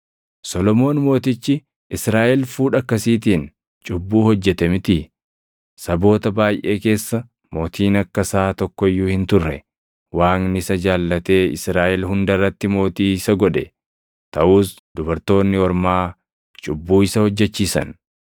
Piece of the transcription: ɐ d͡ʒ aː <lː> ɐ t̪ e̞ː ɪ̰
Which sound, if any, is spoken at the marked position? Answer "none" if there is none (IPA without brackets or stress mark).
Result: lː